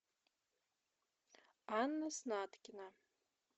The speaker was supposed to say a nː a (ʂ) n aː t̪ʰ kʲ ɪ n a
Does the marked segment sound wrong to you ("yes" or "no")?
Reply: yes